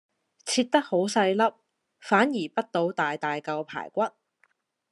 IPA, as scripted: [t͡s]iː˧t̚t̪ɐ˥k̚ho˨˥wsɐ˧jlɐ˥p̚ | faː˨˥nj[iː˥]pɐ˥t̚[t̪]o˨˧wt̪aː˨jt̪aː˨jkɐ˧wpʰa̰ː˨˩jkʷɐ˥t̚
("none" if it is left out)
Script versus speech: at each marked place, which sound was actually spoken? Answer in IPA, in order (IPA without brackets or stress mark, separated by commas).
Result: t͡sʰ, iː˨˩, t̪